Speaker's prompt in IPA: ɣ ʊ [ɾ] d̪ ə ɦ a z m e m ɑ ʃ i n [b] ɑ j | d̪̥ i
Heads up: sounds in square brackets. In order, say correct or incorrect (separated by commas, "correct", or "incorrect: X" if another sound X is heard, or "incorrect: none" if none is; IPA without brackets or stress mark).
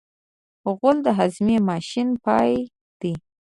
incorrect: l, incorrect: p